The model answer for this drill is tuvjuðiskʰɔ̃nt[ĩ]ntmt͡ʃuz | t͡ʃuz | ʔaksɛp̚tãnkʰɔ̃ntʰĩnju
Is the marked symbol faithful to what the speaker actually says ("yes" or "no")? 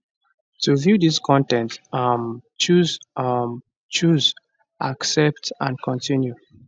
no